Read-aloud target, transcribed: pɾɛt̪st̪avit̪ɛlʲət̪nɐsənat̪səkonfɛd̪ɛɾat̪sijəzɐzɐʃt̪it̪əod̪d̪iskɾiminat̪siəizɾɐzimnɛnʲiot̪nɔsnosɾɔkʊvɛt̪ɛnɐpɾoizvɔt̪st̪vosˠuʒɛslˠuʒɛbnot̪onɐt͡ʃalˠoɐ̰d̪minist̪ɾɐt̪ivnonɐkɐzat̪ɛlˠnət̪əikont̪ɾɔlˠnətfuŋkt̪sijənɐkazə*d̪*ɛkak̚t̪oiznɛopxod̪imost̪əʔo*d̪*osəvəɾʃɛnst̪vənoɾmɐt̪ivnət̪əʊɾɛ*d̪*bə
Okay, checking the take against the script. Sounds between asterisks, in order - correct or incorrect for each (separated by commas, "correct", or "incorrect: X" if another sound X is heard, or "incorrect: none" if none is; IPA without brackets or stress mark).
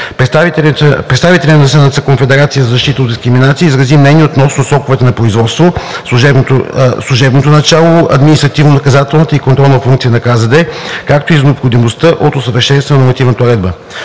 correct, incorrect: t̪, correct